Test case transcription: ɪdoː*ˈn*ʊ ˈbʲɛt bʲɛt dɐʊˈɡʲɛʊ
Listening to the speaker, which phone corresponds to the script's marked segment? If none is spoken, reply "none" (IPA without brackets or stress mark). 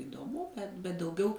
m